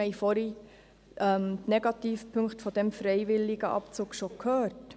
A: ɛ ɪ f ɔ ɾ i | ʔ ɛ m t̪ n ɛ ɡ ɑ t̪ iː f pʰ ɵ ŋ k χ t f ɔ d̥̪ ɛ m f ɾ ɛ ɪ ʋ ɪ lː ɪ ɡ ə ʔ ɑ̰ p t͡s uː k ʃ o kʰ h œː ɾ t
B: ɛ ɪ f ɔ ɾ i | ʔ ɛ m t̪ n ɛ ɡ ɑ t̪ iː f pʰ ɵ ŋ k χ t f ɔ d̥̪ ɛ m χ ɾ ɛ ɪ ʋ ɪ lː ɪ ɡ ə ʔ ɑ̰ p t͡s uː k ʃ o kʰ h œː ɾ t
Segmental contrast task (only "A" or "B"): A